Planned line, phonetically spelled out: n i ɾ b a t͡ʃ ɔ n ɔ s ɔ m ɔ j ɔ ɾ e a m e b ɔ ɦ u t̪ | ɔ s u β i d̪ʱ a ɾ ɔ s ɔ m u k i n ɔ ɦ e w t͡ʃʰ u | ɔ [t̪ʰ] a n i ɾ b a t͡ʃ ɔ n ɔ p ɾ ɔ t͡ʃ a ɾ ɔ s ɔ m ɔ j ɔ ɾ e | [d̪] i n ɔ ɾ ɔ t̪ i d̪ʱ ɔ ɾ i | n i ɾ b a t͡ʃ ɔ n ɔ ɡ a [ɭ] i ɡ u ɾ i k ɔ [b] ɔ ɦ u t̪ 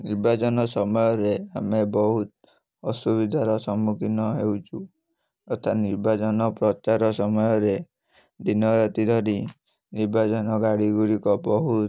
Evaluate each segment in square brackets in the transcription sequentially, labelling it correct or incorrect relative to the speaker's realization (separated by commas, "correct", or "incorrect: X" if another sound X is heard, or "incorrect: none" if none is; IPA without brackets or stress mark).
correct, correct, incorrect: ɽ, correct